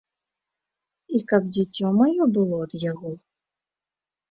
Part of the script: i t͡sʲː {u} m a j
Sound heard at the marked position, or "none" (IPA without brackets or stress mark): ɔ